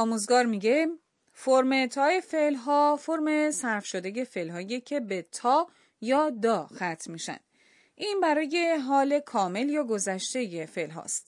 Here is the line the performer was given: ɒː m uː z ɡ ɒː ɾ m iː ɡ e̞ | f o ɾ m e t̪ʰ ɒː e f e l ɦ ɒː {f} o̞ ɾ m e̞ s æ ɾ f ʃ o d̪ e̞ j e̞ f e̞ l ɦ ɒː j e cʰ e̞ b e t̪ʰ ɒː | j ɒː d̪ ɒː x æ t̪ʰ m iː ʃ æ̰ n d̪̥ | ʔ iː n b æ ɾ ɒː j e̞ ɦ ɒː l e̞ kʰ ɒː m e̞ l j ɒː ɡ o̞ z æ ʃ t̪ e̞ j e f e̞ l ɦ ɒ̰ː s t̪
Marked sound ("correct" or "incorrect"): correct